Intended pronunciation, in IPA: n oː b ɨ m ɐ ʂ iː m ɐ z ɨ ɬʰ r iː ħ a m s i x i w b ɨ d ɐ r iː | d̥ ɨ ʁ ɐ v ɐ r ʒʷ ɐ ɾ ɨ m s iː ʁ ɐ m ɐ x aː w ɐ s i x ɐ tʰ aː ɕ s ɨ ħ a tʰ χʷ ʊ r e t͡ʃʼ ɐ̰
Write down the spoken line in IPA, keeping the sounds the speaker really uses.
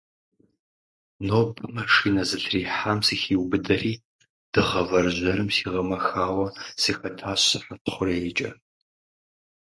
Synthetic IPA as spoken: n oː b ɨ m ɐ ʂ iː n ɐ z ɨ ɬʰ r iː ħ a m s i x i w b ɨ d ɐ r iː | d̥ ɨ ʁ ɐ v ɐ r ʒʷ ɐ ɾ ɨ m s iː ʁ ɐ m ɐ x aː w ɐ s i x ɐ tʰ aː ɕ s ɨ ħ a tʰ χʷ ʊ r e t͡ʃʼ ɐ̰